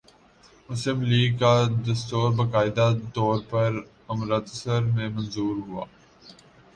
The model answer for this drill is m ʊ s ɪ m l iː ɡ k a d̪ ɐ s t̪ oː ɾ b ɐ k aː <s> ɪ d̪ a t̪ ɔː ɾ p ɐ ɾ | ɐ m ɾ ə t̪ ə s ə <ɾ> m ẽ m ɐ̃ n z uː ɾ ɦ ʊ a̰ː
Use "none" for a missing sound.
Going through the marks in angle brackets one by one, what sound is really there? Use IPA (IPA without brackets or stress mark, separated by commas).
none, ɾ